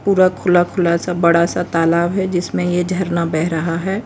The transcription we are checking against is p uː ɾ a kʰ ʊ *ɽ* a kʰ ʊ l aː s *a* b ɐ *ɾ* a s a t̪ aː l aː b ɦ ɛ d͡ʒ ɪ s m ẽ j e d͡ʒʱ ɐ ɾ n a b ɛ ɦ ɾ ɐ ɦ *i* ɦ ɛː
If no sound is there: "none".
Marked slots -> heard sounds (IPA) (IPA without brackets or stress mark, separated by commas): l, a, ɽ, a